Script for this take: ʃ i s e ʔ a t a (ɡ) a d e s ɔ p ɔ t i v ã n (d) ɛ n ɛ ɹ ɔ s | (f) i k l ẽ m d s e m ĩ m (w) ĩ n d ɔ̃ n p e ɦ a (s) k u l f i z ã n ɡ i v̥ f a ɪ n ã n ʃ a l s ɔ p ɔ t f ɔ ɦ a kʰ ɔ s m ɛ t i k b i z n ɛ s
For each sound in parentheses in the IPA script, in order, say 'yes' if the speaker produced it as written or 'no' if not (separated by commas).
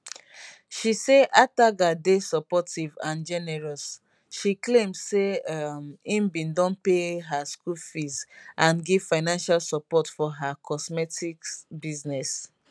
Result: yes, no, no, no, yes